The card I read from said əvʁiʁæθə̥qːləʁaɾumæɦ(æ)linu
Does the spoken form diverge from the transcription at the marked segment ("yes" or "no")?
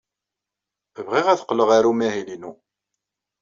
yes